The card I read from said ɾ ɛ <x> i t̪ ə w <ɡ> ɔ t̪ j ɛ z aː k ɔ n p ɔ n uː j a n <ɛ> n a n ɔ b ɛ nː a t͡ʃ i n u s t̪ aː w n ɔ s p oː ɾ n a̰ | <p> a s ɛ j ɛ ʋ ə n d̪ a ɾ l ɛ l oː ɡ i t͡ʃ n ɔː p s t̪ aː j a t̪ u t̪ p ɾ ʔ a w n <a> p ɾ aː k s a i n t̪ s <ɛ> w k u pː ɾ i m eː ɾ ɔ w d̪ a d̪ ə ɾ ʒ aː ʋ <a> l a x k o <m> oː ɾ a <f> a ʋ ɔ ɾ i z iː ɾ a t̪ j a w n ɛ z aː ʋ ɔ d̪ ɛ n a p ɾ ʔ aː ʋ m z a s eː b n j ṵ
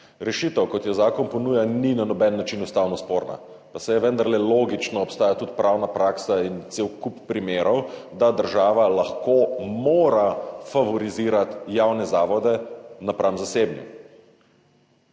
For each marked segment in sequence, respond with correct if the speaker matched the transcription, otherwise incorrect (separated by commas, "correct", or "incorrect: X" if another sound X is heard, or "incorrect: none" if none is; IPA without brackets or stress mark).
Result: incorrect: ʃ, incorrect: k, incorrect: i, correct, correct, incorrect: e, correct, correct, correct